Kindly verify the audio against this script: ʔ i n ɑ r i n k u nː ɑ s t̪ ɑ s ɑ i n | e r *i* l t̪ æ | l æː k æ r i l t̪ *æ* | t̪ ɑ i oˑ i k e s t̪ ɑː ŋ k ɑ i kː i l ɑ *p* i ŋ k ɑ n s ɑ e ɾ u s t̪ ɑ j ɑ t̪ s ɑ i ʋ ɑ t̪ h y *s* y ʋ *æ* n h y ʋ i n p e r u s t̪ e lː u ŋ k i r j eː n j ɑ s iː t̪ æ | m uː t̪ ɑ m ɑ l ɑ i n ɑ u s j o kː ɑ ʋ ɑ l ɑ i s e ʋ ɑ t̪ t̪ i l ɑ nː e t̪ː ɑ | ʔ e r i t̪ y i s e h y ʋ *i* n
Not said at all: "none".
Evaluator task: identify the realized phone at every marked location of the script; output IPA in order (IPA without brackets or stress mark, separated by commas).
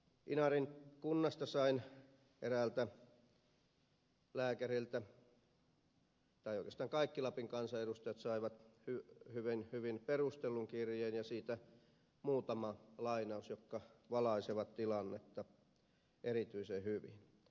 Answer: æ, æ, p, h, i, i